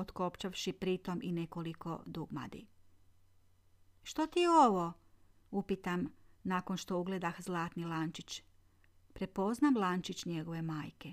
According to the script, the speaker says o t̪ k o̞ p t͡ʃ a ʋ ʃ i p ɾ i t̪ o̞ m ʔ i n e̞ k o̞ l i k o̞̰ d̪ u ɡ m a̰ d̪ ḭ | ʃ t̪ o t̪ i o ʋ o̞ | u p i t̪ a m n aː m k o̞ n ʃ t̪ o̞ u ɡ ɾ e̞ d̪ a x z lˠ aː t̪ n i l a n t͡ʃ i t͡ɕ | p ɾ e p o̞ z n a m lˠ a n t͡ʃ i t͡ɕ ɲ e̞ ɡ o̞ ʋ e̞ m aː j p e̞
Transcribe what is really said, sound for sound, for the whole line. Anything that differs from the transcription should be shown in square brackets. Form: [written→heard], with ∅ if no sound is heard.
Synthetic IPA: o t̪ k o̞ p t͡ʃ a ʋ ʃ i p ɾ i t̪ o̞ m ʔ i n e̞ k o̞ l i k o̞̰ d̪ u ɡ m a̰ d̪ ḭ | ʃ t̪ o t̪ i o ʋ o̞ | u p i t̪ a m n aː [m→∅] k o̞ n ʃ t̪ o̞ u ɡ [ɾ→l] e̞ d̪ a x z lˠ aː t̪ n i l a n t͡ʃ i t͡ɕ | p ɾ e p o̞ z n a m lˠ a n t͡ʃ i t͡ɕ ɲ e̞ ɡ o̞ ʋ e̞ m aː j [p→k] e̞